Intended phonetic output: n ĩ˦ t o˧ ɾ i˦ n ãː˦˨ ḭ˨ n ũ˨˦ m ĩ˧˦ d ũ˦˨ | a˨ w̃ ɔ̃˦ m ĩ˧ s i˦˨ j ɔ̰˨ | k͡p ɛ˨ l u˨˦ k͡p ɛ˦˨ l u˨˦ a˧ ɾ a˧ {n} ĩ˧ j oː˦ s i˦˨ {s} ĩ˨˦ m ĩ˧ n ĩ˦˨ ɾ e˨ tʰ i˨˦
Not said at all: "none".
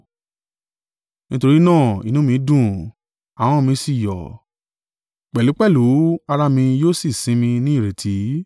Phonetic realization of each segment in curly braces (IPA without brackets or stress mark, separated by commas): m, s